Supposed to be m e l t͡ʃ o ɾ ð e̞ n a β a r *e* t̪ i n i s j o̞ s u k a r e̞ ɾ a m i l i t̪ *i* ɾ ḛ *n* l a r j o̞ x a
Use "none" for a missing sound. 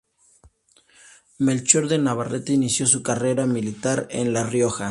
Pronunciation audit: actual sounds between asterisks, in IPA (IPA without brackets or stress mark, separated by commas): e, a, n